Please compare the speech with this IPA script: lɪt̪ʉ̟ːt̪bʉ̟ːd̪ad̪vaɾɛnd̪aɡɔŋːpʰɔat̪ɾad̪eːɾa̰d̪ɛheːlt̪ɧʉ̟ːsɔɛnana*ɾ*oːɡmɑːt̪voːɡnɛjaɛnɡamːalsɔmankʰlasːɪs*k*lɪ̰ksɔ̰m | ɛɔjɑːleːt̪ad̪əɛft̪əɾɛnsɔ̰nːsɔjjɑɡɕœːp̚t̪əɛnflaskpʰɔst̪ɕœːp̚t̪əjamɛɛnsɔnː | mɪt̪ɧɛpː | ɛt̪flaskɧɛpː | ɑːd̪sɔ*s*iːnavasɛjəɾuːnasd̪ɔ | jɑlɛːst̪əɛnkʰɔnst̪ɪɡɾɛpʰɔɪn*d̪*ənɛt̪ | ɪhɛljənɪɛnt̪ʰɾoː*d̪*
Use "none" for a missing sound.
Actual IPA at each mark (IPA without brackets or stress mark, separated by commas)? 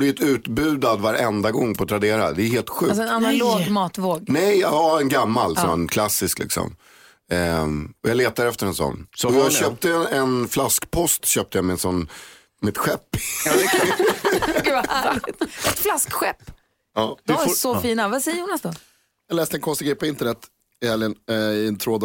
l, k, f, t̪, d̪